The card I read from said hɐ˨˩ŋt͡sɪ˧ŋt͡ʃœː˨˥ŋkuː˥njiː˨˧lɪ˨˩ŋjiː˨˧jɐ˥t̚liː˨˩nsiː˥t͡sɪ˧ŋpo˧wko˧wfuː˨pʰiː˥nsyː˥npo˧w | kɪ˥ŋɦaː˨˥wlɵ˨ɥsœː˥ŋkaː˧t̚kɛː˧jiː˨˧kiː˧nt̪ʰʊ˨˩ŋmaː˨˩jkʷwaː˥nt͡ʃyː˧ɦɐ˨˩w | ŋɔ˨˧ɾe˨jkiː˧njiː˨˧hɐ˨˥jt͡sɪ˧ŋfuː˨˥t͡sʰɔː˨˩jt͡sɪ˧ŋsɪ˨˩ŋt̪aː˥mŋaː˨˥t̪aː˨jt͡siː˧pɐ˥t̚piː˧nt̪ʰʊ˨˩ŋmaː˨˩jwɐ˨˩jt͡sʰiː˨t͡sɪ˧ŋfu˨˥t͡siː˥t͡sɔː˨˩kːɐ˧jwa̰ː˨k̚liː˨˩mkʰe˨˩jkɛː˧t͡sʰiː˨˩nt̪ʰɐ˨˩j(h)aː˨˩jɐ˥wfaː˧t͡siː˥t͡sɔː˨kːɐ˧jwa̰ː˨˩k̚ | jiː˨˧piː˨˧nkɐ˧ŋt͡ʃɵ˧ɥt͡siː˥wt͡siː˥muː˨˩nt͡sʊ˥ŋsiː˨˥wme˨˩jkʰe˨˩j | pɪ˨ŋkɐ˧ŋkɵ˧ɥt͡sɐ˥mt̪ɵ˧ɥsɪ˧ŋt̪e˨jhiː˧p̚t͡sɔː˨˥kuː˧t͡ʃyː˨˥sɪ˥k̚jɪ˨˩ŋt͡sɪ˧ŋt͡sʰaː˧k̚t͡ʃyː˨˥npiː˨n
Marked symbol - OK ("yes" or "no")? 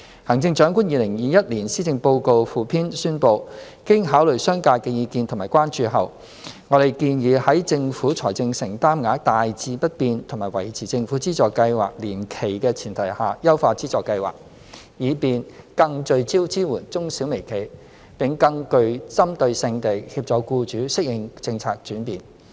yes